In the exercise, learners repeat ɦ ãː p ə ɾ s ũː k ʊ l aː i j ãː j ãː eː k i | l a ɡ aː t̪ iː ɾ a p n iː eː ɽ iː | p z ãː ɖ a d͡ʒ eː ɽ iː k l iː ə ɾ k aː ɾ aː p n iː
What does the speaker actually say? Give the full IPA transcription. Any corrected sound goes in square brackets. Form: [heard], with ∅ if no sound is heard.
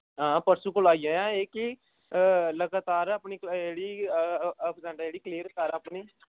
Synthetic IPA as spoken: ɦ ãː p ə ɾ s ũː k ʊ l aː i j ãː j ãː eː k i | l [ə] ɡ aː t̪ [aː] ɾ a p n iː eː ɽ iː | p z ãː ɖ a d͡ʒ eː ɽ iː k l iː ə ɾ k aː ɾ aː p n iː